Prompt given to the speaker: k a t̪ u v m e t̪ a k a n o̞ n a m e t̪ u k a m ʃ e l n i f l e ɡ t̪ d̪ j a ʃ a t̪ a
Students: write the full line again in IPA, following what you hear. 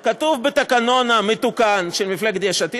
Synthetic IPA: k a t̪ u v b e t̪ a k a n o̞ n a m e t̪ u k a n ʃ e l m i f l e ɡ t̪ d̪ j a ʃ a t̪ i